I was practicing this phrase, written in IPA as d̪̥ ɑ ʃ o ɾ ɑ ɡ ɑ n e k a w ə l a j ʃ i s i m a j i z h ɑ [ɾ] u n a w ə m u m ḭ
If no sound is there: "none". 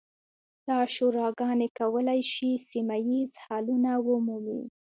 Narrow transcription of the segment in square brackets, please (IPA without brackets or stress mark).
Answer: l